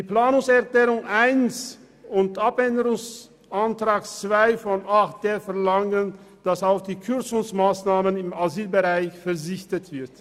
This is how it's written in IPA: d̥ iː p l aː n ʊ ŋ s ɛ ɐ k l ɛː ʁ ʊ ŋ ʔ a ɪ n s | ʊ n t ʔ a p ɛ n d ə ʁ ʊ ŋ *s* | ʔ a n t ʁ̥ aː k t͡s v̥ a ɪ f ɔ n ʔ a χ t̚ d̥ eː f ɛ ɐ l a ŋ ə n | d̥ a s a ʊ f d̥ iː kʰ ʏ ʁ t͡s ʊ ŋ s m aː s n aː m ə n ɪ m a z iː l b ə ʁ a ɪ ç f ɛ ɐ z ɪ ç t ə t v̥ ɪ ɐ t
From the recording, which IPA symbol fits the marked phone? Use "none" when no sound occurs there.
s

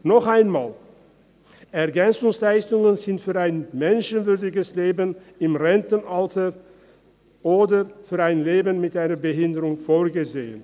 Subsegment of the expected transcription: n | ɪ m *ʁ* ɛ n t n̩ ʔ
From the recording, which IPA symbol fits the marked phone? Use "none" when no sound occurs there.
ʁ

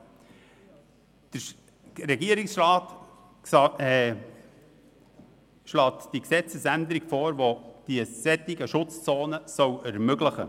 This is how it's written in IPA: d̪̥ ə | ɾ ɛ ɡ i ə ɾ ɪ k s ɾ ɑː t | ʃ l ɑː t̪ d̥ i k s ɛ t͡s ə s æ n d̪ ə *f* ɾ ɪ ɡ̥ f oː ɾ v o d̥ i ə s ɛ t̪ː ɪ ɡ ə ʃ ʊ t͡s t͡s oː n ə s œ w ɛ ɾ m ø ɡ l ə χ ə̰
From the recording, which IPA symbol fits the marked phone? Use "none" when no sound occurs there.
none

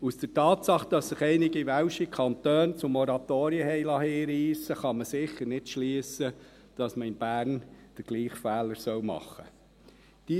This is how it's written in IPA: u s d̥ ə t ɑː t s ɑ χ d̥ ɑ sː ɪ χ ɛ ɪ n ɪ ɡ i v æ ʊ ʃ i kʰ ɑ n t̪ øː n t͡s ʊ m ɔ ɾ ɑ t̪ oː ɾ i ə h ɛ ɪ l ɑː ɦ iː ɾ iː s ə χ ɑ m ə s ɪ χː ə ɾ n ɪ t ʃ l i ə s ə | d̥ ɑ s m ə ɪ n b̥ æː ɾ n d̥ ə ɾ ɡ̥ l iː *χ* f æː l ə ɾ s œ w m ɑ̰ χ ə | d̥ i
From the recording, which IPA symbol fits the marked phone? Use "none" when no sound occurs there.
χ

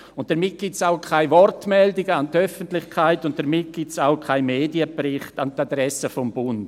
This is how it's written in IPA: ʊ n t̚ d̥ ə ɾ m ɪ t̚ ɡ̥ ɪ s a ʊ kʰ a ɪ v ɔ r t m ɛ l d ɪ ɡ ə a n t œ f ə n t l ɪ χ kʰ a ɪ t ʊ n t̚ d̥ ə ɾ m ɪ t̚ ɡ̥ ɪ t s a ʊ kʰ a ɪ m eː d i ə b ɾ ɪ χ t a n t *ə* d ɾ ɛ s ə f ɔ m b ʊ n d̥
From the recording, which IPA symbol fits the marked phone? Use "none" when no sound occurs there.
a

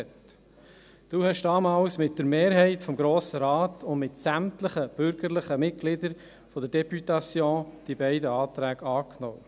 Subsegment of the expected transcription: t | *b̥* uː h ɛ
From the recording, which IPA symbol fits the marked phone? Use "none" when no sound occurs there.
d̥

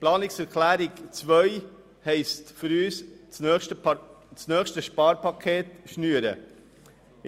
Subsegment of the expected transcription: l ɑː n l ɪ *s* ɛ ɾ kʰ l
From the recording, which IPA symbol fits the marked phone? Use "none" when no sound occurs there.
s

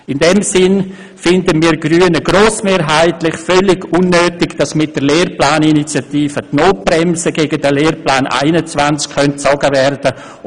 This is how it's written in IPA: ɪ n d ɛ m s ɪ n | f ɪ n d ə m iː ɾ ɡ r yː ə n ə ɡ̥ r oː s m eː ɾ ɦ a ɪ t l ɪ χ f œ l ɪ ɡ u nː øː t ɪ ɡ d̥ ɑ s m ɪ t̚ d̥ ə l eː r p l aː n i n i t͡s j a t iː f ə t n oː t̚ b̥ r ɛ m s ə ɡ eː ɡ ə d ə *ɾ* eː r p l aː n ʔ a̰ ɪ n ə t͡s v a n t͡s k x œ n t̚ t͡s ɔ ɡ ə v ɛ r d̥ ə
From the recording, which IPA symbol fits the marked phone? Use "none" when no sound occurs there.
l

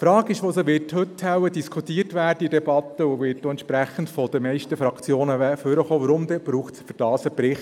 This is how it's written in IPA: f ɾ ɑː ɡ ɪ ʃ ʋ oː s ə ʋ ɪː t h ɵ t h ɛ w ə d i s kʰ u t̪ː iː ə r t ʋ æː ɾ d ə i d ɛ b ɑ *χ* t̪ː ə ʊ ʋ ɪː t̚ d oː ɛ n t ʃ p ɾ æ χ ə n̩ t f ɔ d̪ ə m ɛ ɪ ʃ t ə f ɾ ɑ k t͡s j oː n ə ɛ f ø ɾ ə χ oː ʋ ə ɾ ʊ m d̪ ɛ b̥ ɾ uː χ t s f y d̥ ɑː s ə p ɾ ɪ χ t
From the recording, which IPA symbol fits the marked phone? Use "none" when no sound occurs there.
none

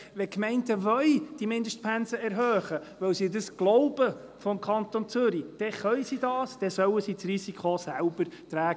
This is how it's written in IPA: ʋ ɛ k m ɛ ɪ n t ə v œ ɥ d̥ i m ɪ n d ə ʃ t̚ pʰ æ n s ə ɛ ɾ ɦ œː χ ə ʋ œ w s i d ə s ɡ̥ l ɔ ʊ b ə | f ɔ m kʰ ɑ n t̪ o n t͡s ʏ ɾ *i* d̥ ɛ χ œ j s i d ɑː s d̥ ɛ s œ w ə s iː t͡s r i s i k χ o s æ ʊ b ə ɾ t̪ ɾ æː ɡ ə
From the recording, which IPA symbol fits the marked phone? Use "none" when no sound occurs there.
i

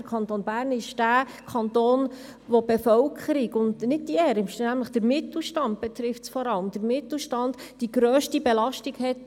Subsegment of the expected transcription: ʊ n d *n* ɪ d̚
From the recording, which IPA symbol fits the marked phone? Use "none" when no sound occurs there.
n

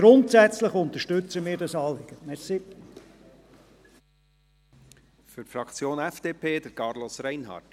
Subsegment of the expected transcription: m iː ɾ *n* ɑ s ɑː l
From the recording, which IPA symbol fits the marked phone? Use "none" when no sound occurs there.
d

